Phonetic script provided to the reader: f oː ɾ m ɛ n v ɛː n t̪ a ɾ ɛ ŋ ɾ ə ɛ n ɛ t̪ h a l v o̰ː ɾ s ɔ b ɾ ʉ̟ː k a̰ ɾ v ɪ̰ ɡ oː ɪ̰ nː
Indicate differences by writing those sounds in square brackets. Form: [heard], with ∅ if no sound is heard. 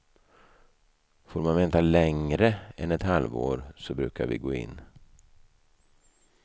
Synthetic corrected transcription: f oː ɾ m [a] n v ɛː n t̪ a [l] ɛ ŋ ɾ ə ɛ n ɛ t̪ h a l v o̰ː ɾ s ɔ b ɾ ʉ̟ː k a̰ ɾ v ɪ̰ ɡ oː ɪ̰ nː